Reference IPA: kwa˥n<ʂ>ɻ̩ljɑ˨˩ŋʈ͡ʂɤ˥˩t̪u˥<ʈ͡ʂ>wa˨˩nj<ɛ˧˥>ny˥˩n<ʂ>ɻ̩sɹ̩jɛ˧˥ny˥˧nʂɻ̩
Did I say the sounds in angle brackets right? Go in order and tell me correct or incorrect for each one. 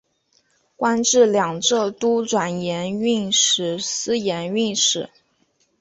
incorrect: ʈ͡ʂ, correct, correct, correct

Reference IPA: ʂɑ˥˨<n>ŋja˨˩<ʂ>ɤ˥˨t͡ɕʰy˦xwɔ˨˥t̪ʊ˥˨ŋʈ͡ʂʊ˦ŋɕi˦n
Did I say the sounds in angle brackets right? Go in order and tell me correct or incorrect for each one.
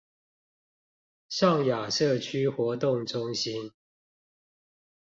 incorrect: none, correct

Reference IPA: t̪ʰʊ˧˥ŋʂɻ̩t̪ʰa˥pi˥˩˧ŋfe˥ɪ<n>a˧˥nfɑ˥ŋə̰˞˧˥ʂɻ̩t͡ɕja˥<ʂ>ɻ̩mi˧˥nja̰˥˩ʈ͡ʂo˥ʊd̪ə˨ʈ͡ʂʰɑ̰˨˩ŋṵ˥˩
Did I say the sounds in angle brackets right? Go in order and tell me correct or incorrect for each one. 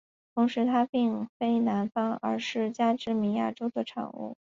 correct, incorrect: ʈ͡ʂ

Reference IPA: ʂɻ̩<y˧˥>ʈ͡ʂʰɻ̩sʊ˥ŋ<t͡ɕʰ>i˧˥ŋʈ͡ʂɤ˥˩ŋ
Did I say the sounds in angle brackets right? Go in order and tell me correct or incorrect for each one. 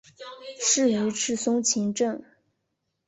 correct, correct

